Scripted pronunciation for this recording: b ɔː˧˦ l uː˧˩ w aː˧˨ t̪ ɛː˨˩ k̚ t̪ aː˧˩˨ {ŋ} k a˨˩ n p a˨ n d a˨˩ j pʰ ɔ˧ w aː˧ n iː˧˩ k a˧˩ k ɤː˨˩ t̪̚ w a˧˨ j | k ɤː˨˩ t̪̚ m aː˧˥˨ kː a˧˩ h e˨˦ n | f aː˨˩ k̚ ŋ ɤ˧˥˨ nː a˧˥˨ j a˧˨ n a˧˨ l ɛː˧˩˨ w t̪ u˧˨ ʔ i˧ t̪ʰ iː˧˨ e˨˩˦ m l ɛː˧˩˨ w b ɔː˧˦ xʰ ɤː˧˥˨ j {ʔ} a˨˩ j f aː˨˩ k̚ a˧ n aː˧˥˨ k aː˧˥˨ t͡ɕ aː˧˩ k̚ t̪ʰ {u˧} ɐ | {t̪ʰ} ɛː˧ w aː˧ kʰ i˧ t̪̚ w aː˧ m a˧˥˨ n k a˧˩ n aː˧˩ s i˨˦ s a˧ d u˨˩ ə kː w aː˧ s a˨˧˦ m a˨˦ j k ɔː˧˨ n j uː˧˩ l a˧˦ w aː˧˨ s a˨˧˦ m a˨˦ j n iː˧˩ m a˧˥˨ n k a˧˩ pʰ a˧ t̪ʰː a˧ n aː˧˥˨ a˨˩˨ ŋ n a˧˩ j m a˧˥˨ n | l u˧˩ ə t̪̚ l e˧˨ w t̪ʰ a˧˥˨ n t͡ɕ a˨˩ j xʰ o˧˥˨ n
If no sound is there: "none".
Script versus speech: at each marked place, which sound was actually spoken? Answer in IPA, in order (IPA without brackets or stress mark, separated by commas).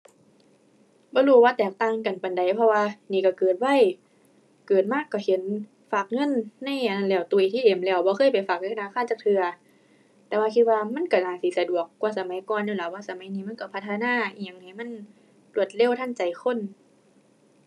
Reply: ŋ, p, ɯ˧, t̪